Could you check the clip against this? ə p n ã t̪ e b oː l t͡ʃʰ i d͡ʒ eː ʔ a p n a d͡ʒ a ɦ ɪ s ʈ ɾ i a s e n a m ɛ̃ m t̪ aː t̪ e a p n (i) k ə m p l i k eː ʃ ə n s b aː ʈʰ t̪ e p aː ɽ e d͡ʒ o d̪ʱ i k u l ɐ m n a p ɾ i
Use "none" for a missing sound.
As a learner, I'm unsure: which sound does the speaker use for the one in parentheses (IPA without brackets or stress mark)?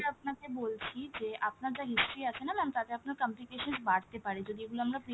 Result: a